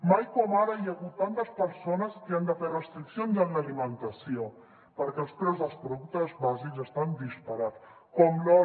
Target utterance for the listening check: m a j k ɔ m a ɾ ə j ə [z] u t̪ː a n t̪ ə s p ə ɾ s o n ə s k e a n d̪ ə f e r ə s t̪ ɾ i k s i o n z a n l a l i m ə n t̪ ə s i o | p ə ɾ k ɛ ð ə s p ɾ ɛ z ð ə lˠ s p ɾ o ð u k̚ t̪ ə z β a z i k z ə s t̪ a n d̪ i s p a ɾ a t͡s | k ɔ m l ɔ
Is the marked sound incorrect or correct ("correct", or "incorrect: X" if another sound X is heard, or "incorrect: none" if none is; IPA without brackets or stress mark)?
incorrect: ɣ